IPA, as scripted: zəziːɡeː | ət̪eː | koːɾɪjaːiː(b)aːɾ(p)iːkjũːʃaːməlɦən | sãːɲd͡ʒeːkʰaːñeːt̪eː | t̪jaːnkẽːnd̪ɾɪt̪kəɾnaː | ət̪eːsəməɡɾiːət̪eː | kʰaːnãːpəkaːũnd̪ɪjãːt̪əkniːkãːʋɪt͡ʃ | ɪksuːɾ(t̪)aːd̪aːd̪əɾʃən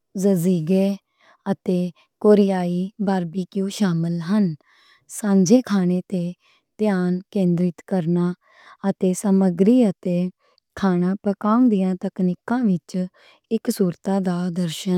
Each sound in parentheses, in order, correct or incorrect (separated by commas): correct, incorrect, correct